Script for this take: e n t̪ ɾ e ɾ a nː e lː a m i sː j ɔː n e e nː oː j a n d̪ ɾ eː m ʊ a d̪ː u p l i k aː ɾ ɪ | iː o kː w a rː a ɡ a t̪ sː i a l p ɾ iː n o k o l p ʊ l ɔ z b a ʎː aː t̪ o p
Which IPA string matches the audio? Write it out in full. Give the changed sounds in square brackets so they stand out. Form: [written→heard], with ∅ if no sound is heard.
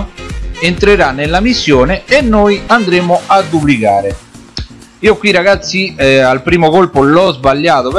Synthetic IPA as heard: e n t̪ ɾ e ɾ a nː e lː a m i sː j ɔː n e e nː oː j a n d̪ ɾ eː m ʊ a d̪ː u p l i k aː ɾ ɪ | iː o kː w [a→i] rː a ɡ a t̪ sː i a l p ɾ iː [n→m] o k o l p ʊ l ɔ z b a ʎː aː t̪ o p

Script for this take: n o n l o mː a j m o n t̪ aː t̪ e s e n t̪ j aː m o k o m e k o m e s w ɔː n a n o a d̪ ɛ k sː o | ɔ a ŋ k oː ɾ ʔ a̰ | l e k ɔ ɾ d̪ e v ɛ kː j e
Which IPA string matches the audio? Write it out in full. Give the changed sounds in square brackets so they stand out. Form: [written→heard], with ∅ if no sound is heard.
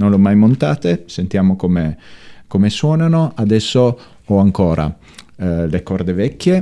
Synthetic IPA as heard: n o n l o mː a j m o n t̪ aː t̪ e s e n t̪ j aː m o k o m e k o m e s w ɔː n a n o a d̪ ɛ [k→∅] sː o | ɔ a ŋ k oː ɾ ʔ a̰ | l e k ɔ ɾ d̪ e v ɛ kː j e

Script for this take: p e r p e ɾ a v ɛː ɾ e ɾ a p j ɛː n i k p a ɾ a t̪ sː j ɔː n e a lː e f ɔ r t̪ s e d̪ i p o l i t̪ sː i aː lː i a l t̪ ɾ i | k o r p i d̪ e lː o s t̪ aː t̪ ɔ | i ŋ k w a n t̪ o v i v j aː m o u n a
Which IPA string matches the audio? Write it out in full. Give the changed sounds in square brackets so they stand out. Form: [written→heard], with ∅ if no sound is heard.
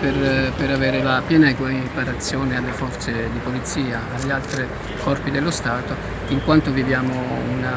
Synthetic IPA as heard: p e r p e ɾ a v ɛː ɾ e [ɾ→l] a p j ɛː n [i→a] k p a ɾ a t̪ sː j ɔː n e a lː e f ɔ r t̪ s e d̪ i p o l i t̪ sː [i→iː] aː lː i a l t̪ ɾ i | k [o→ɔ] r p i d̪ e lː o s t̪ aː t̪ [ɔ→o] | i ŋ k w a n t̪ o v i v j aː m o u n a

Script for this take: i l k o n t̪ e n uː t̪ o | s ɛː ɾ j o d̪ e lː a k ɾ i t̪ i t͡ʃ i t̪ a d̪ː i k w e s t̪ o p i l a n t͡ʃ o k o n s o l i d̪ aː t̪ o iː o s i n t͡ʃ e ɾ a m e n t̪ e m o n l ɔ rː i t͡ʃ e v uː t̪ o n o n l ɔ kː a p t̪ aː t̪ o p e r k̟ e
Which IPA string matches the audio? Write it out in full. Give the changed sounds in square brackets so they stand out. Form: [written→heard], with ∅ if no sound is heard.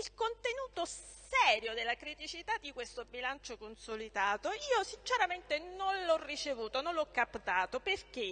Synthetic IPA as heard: i l k o n t̪ e n uː t̪ o | s ɛː ɾ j o d̪ e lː a k ɾ i t̪ i t͡ʃ i t̪ a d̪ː i k w e s t̪ o [p→b] i l a n t͡ʃ o k o n s o l i d̪ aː t̪ o iː o s i n t͡ʃ e ɾ a m e n t̪ e [m→n] o n l ɔ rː i t͡ʃ e v uː t̪ o n o n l ɔ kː a p t̪ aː t̪ o p e r k̟ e

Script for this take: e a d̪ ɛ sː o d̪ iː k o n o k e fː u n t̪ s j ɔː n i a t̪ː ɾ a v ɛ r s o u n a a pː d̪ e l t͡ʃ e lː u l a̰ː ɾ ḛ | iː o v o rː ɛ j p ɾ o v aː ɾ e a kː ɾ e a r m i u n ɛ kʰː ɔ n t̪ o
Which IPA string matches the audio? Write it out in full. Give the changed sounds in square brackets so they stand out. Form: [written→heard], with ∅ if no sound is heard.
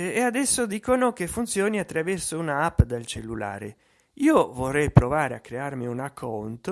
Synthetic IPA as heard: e a d̪ ɛ sː o d̪ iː k o n o k e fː u n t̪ s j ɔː n i a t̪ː ɾ a v ɛ r s o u n a a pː d̪ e l t͡ʃ e lː u l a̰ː ɾ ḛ | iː o v o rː ɛ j p ɾ o v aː ɾ e a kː ɾ e a r m i u n [ɛ→a] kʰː ɔ n t̪ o

